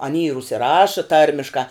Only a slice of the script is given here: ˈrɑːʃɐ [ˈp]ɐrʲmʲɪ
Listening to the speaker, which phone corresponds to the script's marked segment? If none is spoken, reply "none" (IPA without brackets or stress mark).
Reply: t